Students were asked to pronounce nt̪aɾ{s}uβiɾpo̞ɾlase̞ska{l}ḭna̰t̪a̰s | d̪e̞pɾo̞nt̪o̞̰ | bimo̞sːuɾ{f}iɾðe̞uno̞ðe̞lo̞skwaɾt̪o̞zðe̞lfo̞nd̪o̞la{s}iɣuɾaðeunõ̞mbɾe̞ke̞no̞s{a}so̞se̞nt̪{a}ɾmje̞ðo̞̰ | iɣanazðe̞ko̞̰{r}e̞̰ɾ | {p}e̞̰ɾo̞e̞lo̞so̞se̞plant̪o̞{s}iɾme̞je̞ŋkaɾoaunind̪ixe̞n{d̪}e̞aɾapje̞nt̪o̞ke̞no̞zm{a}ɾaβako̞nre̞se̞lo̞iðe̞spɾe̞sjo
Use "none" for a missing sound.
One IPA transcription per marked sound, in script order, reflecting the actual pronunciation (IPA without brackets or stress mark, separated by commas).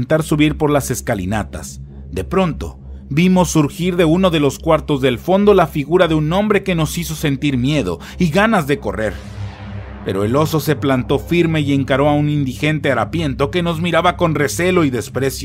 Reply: s, l, x, f, i, i, r, p, f, t̪, i